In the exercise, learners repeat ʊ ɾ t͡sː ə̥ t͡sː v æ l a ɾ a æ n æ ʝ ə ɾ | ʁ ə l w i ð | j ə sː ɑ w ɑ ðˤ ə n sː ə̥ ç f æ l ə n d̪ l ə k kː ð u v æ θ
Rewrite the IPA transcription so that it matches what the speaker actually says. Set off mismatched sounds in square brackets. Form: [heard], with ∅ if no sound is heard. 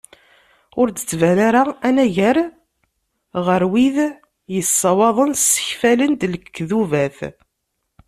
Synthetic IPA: ʊ ɾ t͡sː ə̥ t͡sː v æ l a ɾ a æ n æ ʝ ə ɾ | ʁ ə [ɾ] w i ð | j ə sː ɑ w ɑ ðˤ ə n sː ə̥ ç f æ l ə n d̪ l ə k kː ð u v æ θ